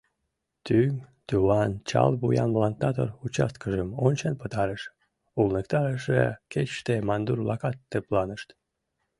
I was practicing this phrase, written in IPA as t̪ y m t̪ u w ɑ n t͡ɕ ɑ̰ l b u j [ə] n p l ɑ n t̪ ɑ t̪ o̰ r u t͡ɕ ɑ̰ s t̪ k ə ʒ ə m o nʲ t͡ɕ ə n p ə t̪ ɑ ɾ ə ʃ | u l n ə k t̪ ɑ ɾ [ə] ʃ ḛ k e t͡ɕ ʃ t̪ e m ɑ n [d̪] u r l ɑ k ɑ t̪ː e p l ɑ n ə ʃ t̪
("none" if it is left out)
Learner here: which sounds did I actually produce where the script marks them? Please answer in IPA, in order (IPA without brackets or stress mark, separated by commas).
ɑ, ə, d̪